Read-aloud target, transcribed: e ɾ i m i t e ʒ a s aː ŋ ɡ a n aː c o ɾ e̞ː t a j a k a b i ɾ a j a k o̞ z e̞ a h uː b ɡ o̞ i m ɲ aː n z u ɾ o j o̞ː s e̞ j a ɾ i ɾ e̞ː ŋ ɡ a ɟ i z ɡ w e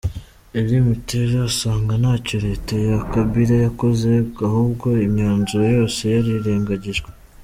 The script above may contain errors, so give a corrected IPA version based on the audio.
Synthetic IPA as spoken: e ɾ i m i t e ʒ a s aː ŋ ɡ a n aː c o ɾ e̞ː t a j a k a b i ɾ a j a k o̞ z e̞ a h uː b ɡ o̞ i m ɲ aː n z u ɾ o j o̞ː s e̞ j a ɾ i ɾ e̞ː ŋ ɡ a ɟ i ʒ ɡ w e